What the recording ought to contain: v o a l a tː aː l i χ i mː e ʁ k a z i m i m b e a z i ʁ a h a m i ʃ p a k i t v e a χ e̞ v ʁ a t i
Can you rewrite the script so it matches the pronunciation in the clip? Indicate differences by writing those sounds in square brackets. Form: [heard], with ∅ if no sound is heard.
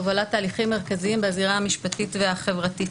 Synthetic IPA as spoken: v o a l a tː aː l i χ i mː e ʁ k a z i [∅] i m b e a z i ʁ a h a m i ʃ p a [t] i t v e a χ e̞ v ʁ a t i